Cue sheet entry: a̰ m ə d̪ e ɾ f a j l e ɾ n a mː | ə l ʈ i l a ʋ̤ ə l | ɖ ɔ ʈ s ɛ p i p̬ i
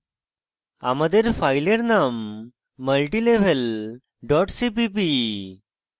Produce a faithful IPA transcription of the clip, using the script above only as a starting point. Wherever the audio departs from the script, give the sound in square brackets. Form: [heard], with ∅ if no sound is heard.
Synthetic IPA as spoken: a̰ m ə d̪ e ɾ f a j l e ɾ n a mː | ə l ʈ i l [e] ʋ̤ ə l | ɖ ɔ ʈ s [i] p i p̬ i